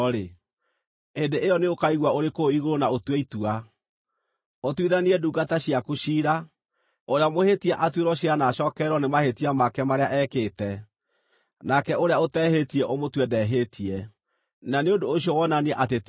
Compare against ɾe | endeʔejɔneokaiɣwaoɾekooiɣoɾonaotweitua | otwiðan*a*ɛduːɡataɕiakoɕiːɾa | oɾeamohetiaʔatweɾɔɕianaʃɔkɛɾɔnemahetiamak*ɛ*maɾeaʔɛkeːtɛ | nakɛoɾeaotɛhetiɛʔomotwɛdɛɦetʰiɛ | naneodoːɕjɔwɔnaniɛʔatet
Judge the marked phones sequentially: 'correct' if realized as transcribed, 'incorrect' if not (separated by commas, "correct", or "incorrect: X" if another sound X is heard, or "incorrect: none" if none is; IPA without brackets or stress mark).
incorrect: i, correct